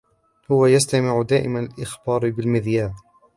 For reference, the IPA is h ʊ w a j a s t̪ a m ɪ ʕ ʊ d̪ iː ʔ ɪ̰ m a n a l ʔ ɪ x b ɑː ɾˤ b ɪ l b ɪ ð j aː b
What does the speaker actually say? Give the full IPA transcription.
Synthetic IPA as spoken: h ʊ w a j a s t̪ a m ɪ ʕ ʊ d̪ aː ʔ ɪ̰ m a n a l ʔ ɪ x b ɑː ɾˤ b ɪ l m ɪ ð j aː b